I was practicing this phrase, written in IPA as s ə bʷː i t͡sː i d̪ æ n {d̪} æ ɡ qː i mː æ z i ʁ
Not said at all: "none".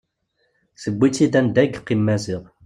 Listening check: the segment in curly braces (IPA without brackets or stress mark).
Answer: d̪